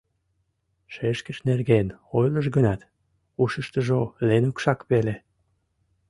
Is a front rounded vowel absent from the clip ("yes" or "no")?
yes